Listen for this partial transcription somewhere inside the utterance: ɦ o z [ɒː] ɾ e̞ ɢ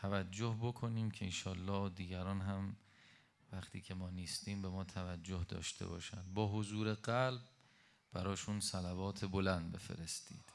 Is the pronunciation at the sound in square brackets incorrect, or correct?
incorrect